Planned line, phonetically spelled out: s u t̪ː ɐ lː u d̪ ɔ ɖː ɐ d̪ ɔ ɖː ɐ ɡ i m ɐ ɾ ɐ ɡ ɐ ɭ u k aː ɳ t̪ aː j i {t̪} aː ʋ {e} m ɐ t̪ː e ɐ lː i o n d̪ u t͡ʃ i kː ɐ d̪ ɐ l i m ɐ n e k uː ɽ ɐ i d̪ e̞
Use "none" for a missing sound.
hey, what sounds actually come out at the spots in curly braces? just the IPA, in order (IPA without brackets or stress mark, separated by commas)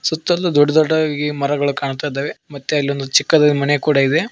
d̪, e